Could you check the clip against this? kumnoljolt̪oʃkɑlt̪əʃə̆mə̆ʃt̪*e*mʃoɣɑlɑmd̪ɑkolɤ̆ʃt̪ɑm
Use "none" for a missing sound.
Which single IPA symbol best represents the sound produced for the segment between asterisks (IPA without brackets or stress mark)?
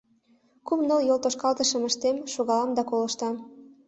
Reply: e